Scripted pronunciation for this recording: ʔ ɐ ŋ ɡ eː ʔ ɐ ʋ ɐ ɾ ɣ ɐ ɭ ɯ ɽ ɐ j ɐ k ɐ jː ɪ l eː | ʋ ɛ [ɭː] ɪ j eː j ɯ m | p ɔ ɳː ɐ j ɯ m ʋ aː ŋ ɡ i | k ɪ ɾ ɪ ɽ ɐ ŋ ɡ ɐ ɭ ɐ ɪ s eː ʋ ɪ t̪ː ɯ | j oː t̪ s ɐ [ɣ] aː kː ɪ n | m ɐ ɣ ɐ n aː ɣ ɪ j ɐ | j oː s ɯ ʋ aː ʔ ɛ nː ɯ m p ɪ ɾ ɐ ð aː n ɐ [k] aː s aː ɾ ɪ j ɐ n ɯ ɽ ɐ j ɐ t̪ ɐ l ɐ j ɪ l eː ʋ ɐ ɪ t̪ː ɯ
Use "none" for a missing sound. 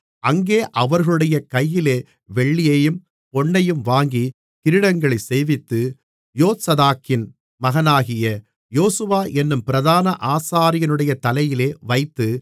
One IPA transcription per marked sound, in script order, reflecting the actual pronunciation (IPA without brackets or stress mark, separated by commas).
ɭː, ð, ʔ